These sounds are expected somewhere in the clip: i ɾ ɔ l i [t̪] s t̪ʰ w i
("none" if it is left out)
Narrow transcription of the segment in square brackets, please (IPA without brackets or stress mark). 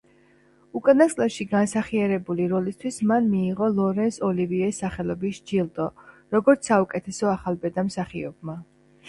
none